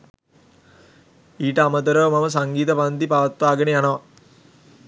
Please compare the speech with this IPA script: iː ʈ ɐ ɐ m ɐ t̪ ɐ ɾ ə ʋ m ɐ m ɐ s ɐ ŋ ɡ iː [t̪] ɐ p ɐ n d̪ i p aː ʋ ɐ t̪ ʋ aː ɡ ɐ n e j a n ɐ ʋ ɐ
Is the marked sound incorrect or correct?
correct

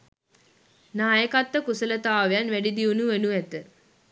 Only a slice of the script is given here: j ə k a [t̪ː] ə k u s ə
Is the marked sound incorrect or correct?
correct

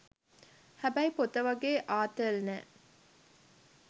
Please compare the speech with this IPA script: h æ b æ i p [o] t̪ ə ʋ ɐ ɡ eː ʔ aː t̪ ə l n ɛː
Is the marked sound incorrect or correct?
correct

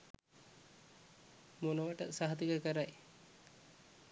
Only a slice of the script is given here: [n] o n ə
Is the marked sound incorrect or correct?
incorrect: m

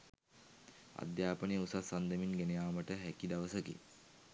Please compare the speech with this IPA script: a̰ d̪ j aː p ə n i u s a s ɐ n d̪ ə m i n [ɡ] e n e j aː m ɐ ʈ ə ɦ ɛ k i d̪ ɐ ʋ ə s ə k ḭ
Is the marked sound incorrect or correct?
correct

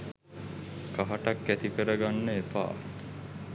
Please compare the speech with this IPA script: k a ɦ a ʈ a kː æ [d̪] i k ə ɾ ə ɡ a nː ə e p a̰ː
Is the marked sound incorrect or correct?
incorrect: t̪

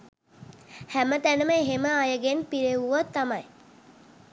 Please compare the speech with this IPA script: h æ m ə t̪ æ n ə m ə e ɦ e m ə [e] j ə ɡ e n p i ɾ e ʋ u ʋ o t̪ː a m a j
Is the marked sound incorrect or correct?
incorrect: a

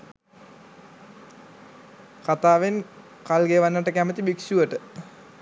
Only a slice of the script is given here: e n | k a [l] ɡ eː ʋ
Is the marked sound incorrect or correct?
correct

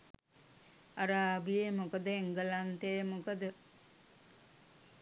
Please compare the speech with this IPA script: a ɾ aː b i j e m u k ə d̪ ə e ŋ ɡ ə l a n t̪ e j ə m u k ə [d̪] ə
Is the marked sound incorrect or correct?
correct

